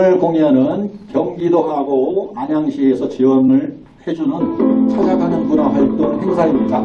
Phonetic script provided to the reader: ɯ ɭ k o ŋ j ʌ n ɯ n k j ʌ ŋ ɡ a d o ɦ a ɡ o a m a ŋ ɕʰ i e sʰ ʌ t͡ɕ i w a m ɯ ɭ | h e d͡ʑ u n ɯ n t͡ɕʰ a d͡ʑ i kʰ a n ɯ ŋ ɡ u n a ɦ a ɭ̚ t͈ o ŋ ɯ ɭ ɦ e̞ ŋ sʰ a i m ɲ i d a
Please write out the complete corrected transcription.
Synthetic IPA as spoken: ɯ ɭ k o ŋ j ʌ n ɯ n k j ʌ ŋ ɡ i d o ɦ a ɡ o a ɲ a ŋ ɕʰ i e sʰ ʌ t͡ɕ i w ʌ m ɯ ɭ | h e d͡ʑ u n ɯ n t͡ɕʰ a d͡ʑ a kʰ a n ɯ n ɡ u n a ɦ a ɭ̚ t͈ o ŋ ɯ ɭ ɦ e̞ ŋ sʰ a i m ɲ i d a